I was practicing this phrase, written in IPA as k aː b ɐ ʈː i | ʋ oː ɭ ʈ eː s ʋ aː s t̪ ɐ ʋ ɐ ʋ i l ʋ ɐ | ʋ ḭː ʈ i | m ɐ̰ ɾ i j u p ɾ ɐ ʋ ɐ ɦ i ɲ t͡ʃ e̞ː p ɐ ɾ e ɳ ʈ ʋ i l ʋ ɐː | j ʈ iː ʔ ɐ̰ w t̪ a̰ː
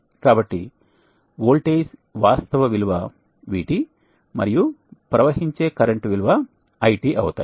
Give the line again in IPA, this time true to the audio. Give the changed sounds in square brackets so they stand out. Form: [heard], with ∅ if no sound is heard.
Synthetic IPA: k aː b ɐ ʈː i | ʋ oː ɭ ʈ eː s ʋ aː s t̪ ɐ ʋ ɐ ʋ i l ʋ ɐ | ʋ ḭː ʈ i | m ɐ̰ ɾ i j u p ɾ ɐ ʋ ɐ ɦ i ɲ t͡ʃ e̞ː [k] ɐ ɾ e ɳ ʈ ʋ i l ʋ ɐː | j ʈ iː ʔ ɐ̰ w t̪ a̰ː